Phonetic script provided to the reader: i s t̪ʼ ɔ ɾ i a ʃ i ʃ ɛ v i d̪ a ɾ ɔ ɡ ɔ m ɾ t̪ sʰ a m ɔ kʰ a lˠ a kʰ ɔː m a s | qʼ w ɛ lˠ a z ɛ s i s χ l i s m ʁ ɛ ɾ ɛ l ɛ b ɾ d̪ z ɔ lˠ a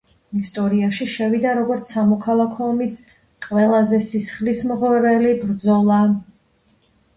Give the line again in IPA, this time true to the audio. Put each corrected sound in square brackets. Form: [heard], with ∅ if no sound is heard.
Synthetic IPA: i s t̪ʼ ɔ ɾ i a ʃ i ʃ ɛ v i d̪ a ɾ ɔ ɡ ɔ [∅] ɾ t̪ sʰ a m ɔ kʰ a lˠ a kʰ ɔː m [i] s | qʼ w ɛ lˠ a z ɛ s i s χ l i s m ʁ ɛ ɾ ɛ l [i] b ɾ d̪ z ɔ lˠ a